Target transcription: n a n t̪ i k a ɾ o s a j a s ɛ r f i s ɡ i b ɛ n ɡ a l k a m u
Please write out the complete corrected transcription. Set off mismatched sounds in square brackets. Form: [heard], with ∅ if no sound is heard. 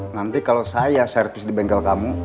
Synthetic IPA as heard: n a n t̪ i k a [l] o s a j a s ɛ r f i s [d] i b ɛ [ŋ] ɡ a l k a m u